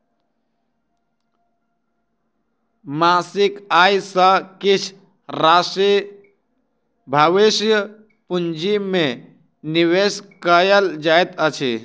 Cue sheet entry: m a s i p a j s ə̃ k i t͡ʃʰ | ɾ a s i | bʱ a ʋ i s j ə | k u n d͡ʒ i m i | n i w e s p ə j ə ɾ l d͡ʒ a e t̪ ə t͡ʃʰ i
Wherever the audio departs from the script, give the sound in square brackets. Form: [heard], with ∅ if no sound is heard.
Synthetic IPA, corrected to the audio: m a s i [k] a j s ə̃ k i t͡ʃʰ | ɾ a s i | bʱ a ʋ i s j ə | [p] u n d͡ʒ i m [e] | n i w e s [k] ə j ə [∅] l d͡ʒ a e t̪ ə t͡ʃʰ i